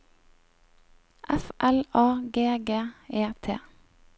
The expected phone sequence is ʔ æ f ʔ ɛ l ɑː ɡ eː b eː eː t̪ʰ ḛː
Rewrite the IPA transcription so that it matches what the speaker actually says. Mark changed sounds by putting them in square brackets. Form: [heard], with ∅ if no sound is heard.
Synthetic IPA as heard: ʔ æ f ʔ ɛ l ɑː ɡ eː [ɡ] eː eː t̪ʰ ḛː